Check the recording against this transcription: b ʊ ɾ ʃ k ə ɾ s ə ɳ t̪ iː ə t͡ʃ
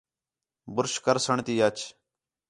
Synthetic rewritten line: b ʊ ɾ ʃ k ə ɾ s ə ɳ t̪ iː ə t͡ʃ